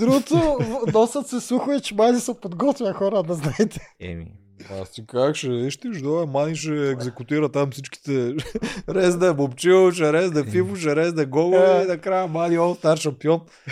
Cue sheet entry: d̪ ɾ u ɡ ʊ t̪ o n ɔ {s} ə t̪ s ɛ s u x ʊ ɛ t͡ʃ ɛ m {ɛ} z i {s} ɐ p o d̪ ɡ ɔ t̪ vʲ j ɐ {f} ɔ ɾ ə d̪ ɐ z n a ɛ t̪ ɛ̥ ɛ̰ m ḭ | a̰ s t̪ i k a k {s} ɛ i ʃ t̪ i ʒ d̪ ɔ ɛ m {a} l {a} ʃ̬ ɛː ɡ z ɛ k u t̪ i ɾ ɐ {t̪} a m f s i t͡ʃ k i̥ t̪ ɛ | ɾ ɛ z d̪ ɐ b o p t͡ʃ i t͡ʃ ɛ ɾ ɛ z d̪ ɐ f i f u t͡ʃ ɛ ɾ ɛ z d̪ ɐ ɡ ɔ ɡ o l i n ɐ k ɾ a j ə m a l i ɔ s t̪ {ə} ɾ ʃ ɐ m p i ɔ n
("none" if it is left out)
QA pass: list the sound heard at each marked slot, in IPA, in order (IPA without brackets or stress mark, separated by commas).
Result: s, a, s, x, ʃ, a, i, t̪, a